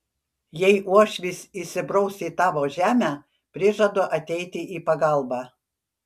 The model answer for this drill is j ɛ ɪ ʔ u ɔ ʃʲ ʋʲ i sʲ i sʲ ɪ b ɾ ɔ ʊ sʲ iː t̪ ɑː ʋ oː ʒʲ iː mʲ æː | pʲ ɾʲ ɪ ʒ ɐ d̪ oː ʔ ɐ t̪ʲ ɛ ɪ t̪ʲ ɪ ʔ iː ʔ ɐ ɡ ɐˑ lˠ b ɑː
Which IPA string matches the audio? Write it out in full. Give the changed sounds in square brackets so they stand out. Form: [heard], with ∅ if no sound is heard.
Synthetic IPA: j ɛ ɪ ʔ u ɔ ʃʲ ʋʲ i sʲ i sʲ ɪ b ɾ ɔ ʊ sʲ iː t̪ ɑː ʋ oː ʒʲ [æː] mʲ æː | pʲ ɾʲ ɪ ʒ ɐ d̪ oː ʔ ɐ t̪ʲ ɛ ɪ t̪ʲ ɪ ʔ iː [p] ɐ ɡ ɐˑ lˠ b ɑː

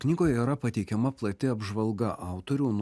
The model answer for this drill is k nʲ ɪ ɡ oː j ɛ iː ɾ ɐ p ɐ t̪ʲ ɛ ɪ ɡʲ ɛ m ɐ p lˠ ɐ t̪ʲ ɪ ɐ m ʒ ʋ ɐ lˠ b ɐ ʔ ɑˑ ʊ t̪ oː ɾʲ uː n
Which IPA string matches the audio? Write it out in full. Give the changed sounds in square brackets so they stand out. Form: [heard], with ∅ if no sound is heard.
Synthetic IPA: k nʲ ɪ ɡ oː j ɛ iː ɾ ɐ p ɐ t̪ʲ ɛ ɪ [kʲ] ɛ m ɐ p lˠ ɐ t̪ʲ ɪ ɐ [b] ʒ ʋ ɐ lˠ [ɡ] ɐ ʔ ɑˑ ʊ t̪ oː ɾʲ uː n

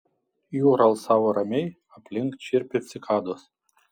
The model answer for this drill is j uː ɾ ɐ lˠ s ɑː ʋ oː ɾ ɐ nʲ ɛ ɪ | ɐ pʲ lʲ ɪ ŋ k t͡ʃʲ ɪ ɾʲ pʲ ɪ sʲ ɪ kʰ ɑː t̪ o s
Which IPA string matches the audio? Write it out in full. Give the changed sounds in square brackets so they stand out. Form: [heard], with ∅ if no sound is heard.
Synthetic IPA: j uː ɾ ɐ lˠ s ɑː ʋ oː ɾ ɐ [mʲ] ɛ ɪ | ɐ pʲ lʲ ɪ ŋ k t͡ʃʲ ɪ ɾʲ pʲ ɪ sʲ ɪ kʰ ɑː [d̪] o s

